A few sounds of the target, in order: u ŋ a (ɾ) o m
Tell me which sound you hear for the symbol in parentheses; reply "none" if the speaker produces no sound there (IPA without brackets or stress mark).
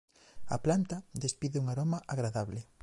ɾ